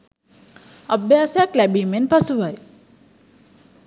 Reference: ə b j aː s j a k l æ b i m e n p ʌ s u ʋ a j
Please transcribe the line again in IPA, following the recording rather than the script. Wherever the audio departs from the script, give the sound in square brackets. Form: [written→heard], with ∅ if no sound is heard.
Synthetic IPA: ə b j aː s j a k l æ b i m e n p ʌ s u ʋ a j